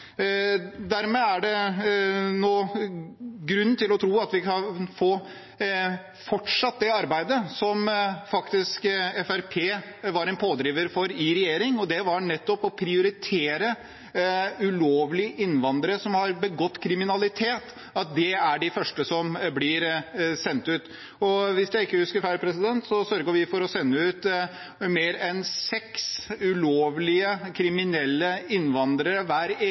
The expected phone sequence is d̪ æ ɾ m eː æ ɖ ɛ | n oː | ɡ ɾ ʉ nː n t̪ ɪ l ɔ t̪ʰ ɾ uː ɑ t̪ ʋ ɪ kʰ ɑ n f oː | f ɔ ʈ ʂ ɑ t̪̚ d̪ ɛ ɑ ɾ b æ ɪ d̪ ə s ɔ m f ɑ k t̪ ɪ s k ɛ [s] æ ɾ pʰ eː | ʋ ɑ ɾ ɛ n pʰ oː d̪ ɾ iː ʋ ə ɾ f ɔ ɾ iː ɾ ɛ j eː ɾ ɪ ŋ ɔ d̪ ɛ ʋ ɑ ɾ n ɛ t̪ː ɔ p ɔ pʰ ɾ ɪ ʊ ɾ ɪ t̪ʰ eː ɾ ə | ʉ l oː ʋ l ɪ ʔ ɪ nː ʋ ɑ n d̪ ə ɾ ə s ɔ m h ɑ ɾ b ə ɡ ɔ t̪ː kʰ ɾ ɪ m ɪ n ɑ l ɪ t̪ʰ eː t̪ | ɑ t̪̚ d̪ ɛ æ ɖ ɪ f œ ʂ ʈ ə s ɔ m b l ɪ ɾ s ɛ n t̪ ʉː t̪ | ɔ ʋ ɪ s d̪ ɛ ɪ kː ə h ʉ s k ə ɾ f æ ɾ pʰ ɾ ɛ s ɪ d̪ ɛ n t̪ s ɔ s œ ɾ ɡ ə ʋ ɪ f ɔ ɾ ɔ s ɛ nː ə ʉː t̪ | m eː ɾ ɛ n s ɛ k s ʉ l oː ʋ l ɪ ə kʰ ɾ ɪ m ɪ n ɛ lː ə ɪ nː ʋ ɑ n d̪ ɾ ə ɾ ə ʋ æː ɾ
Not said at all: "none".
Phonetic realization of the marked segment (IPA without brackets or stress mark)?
f